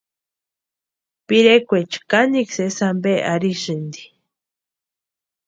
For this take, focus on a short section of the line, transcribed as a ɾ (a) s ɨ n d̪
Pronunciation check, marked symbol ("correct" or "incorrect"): incorrect